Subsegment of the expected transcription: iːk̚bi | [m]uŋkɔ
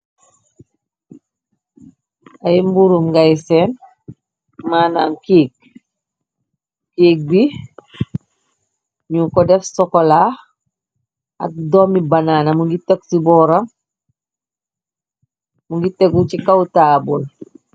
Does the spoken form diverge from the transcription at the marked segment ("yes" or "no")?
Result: yes